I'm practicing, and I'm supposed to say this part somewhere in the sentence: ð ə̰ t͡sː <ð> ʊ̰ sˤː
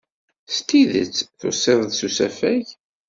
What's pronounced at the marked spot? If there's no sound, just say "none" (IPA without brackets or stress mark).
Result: θ